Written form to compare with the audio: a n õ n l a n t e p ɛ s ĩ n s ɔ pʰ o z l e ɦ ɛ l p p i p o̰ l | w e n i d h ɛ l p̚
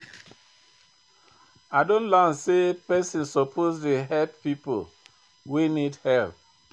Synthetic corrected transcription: a d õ n l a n s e p ɛ s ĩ n s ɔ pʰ o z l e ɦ ɛ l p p i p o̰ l | w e n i d h ɛ l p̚